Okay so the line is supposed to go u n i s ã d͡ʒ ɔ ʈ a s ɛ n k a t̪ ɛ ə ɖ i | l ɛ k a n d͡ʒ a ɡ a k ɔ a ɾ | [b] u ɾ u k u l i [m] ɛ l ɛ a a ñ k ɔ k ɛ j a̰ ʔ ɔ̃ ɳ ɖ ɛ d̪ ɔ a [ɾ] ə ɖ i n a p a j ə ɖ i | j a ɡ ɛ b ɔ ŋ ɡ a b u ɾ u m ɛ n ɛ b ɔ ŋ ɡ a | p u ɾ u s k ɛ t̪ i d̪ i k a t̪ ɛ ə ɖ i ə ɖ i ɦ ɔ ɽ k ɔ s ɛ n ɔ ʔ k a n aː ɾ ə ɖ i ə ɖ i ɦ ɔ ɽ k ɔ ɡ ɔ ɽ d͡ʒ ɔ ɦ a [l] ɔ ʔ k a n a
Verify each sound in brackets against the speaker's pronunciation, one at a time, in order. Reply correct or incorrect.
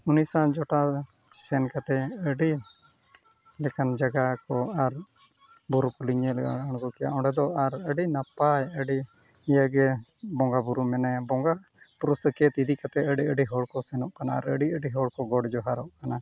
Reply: correct, incorrect, correct, incorrect

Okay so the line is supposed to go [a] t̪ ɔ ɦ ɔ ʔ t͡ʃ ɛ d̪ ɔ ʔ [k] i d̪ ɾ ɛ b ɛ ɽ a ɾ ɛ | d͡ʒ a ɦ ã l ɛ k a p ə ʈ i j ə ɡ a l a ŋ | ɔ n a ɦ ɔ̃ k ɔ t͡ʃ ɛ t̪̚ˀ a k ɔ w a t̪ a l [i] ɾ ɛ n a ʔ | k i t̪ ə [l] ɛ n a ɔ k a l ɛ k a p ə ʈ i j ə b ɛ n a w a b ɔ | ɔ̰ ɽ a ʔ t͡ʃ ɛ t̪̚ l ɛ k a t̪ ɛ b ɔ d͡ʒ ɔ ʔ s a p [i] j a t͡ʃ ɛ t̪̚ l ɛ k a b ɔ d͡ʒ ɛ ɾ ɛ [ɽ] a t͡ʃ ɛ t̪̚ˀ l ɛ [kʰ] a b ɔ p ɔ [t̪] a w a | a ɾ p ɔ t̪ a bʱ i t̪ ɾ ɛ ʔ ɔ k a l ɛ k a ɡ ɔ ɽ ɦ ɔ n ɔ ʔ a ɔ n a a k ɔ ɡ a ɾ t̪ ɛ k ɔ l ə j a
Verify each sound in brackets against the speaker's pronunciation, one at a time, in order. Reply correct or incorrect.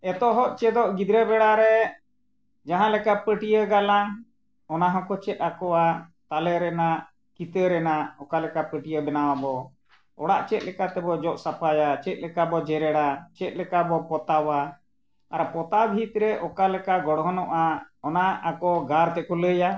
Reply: incorrect, incorrect, incorrect, incorrect, incorrect, correct, incorrect, correct

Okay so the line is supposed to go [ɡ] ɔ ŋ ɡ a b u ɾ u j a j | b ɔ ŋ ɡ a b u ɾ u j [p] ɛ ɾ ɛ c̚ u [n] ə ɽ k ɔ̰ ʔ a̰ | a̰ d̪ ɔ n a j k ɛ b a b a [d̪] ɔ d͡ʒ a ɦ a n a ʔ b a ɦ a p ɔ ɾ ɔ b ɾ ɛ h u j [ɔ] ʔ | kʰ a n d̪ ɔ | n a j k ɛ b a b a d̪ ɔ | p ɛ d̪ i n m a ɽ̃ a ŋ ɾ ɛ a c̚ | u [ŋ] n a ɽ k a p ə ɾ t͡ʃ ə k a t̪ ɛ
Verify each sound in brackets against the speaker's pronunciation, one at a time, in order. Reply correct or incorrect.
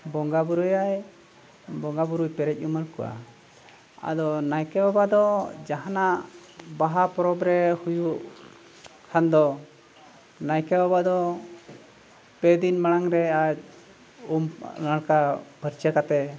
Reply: incorrect, correct, incorrect, correct, incorrect, incorrect

